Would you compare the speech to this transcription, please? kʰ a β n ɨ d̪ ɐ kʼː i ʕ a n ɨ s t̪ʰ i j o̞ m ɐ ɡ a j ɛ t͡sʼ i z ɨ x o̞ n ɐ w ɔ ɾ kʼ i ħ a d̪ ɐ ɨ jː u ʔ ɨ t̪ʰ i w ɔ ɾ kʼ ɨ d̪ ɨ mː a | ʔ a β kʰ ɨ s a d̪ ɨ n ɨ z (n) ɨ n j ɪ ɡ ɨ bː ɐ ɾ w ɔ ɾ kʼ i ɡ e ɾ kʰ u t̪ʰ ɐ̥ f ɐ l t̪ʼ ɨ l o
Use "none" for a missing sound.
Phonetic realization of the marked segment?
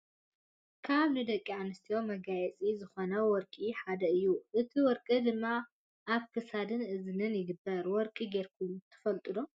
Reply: n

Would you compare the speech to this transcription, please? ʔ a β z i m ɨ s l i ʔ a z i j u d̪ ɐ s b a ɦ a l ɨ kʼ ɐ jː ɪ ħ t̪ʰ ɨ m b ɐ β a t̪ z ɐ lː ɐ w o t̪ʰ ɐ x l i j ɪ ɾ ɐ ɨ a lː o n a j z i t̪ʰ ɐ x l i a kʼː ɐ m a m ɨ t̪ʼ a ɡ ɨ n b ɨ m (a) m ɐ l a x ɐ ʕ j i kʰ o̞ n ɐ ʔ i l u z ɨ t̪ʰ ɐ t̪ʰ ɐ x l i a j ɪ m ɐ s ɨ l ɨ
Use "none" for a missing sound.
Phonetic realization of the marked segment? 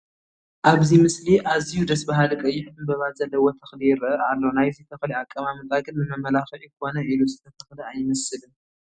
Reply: ɐ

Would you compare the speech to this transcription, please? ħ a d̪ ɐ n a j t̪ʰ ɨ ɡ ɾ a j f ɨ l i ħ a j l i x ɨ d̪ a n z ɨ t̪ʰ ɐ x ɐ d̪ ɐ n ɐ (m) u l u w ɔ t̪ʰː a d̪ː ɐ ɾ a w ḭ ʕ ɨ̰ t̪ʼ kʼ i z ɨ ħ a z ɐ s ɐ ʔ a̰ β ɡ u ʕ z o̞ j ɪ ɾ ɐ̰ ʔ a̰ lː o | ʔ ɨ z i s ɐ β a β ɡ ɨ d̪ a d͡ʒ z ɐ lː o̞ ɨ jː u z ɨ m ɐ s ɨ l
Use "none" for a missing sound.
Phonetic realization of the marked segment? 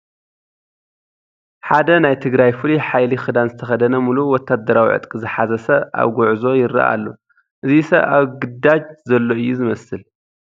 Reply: m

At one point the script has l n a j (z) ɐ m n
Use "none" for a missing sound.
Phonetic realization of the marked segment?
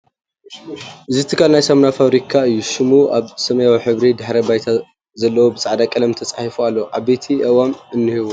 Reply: s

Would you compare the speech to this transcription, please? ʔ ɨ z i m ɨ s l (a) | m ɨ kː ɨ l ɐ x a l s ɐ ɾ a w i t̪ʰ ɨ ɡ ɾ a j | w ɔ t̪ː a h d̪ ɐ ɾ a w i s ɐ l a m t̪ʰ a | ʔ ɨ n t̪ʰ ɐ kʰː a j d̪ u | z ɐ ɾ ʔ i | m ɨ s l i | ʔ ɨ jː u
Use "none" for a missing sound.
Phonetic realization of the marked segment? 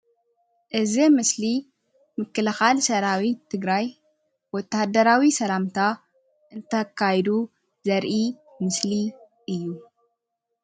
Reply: i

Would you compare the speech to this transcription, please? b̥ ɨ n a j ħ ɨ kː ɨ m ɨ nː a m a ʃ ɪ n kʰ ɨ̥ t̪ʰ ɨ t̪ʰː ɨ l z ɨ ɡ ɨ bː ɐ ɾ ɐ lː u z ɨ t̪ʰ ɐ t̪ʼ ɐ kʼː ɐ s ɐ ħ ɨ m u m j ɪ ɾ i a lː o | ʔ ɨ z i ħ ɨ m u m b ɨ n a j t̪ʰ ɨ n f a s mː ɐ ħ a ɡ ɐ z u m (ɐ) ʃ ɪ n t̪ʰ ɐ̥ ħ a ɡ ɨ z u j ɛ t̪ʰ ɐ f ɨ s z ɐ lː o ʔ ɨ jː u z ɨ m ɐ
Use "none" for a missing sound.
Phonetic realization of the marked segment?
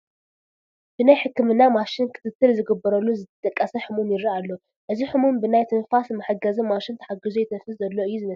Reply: a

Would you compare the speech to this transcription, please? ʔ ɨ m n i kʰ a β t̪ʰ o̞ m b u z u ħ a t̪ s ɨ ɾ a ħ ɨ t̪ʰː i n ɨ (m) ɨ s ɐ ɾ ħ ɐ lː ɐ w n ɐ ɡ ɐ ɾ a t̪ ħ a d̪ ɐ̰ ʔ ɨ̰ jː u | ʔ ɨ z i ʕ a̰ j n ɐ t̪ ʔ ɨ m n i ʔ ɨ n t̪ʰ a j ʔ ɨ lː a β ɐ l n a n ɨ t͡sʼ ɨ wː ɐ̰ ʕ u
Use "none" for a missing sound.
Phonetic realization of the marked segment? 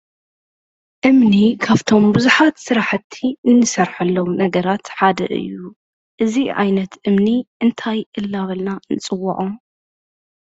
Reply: n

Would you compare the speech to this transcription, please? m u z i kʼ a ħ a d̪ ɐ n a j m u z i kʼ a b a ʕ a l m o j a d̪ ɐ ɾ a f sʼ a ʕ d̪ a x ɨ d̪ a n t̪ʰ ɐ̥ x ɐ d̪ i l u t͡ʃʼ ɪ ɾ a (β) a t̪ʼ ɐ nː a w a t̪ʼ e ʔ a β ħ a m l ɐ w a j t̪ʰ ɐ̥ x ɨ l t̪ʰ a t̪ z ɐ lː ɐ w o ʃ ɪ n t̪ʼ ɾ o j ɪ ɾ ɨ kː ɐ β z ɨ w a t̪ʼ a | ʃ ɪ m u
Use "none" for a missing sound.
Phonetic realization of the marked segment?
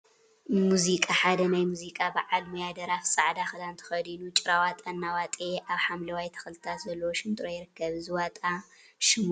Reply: w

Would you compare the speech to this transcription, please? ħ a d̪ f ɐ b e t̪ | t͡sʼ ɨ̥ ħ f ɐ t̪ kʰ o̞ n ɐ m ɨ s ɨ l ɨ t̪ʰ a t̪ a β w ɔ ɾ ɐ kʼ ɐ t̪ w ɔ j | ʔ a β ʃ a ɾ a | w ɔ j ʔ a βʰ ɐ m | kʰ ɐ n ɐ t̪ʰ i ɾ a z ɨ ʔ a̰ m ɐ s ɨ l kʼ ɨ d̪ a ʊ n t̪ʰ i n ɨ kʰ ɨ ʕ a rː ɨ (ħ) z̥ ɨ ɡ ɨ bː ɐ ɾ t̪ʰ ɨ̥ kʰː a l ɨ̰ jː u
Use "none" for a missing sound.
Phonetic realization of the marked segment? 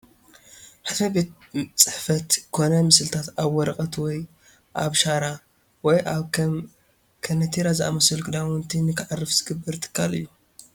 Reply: f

